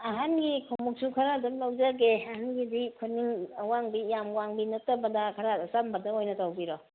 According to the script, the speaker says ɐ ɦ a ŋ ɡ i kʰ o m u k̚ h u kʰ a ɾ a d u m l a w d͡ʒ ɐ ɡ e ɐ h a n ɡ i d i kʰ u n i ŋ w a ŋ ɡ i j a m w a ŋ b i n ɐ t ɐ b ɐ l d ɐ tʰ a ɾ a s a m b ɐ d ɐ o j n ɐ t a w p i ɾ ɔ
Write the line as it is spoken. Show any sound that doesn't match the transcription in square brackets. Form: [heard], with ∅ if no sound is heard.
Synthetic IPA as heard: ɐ ɦ a [n] ɡ i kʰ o m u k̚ [s] u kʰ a ɾ a d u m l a w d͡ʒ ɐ ɡ e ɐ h a n ɡ i d i kʰ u n i ŋ w a ŋ [b] i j a m w a ŋ b i n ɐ t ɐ b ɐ [∅] d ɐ [kʰ] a ɾ a s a m b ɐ d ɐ o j n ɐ t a w [b] i ɾ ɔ